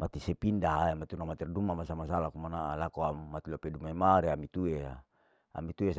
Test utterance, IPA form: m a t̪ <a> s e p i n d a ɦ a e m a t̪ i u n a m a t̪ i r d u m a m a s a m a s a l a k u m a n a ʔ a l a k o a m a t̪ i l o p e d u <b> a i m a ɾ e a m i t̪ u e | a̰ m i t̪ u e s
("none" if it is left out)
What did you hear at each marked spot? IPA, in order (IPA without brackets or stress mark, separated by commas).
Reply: i, m